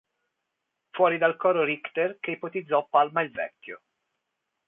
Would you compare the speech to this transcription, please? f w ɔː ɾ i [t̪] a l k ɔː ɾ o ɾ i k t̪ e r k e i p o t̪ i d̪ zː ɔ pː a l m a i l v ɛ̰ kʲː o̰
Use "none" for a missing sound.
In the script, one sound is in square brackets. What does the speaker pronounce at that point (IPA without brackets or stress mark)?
d̪